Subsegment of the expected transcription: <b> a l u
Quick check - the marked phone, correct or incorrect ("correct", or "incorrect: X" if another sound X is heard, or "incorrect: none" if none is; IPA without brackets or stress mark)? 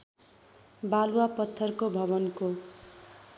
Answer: correct